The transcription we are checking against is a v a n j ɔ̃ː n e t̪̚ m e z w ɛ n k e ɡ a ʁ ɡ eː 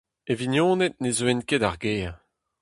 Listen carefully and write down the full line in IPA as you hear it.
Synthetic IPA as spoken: e v i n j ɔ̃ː n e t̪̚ n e z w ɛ n k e d a ʁ ɡ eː